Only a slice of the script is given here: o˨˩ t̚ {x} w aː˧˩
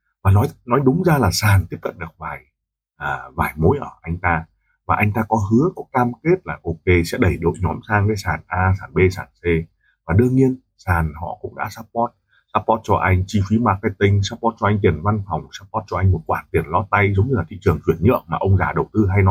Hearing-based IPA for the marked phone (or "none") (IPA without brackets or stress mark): k